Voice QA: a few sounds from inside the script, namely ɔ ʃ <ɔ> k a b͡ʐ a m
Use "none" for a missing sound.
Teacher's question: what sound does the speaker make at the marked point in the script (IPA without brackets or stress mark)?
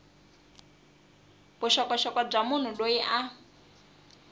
ɔ